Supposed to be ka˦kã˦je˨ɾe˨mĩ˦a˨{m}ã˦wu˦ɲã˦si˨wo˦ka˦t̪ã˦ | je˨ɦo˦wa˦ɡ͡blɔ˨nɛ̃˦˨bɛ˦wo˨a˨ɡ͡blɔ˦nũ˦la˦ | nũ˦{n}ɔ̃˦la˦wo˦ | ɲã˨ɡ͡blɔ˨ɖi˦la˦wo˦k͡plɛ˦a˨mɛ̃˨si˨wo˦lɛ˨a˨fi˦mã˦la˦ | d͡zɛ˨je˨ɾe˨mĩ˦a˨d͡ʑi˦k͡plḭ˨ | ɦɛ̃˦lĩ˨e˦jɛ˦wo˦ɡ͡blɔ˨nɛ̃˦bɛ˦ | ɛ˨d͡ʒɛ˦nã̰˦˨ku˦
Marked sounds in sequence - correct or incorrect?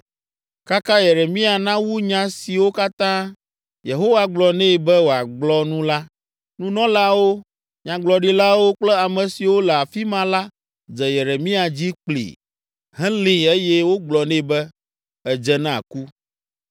incorrect, correct

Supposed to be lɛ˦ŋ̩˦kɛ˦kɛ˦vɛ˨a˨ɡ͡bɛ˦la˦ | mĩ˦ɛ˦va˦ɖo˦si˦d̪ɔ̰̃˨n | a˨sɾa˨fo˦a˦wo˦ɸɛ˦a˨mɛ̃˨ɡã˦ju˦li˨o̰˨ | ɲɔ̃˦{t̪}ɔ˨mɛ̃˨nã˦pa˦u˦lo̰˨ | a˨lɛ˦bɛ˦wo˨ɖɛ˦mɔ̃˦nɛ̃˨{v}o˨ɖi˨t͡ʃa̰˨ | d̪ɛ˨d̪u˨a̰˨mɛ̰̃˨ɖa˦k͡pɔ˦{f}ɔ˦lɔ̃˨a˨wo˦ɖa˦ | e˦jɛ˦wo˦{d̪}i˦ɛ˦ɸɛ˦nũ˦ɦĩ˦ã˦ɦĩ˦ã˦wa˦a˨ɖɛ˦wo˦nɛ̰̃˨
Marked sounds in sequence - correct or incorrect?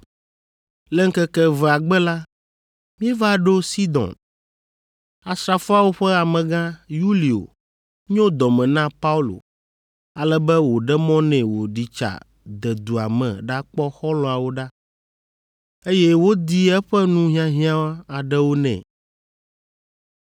incorrect, incorrect, incorrect, correct

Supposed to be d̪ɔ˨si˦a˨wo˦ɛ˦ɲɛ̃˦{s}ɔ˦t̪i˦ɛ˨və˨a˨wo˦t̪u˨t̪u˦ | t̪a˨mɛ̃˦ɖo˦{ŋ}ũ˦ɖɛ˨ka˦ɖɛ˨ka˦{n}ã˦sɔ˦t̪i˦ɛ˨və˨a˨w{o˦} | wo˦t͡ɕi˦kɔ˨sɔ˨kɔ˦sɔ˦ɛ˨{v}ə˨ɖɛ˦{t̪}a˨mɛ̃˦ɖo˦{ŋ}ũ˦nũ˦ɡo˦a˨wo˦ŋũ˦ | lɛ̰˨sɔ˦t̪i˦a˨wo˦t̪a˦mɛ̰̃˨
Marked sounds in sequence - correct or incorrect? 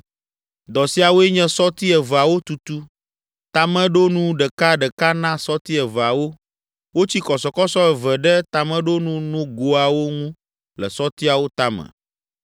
correct, incorrect, correct, correct, correct, correct, incorrect

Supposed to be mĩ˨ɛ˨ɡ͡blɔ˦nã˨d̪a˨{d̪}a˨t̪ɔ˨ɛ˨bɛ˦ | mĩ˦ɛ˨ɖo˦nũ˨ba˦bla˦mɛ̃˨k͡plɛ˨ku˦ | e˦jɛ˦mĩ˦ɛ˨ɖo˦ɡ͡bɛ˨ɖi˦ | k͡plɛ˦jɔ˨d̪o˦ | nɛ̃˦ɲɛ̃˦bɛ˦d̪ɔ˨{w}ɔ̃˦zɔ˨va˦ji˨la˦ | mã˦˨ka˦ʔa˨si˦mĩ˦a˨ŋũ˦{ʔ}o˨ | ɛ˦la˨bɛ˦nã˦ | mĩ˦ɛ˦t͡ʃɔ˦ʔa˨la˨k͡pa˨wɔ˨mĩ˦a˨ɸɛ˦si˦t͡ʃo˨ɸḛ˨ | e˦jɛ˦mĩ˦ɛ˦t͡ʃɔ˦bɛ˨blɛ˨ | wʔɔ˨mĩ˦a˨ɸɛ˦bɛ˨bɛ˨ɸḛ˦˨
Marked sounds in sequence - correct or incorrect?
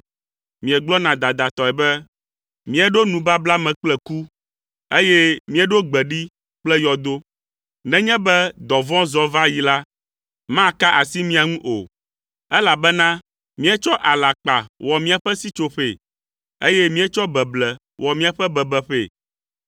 correct, incorrect, correct

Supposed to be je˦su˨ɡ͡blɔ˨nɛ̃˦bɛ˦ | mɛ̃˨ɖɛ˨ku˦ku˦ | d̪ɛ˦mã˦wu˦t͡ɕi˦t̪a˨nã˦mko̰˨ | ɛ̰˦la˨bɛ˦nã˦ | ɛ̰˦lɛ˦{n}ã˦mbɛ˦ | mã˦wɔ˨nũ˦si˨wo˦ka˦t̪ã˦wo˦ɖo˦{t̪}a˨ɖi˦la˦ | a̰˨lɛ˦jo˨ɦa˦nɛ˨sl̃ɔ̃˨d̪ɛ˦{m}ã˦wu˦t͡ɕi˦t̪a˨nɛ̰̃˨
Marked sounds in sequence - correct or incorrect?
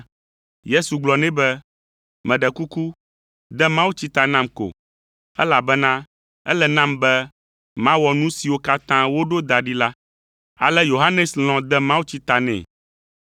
correct, incorrect, correct

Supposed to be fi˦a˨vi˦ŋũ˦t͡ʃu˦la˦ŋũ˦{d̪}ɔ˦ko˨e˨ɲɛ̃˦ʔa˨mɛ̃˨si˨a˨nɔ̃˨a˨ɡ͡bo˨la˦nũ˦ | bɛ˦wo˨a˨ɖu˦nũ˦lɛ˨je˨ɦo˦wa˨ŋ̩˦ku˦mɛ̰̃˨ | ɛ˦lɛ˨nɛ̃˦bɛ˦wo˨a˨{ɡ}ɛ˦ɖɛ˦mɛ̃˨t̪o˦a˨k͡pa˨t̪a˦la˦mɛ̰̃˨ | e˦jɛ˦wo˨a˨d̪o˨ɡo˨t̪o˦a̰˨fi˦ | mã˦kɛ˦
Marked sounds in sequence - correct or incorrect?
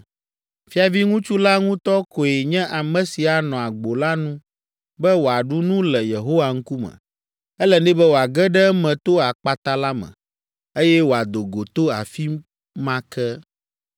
incorrect, correct

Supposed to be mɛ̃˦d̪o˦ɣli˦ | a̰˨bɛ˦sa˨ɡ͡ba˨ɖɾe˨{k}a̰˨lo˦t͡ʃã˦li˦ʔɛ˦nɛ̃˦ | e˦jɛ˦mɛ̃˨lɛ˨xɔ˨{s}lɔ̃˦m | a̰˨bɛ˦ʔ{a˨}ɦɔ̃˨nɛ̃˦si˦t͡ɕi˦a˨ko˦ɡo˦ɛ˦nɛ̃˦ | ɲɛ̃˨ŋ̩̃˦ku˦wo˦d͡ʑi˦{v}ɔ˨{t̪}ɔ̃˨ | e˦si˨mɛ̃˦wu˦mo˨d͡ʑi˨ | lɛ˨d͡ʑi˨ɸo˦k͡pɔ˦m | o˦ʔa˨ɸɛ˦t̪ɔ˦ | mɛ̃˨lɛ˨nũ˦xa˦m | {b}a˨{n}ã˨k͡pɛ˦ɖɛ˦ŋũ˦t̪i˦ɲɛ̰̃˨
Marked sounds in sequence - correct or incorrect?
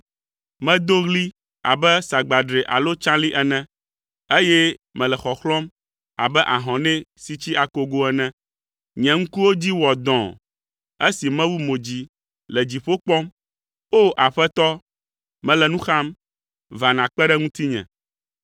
incorrect, incorrect, correct, incorrect, incorrect, incorrect, correct

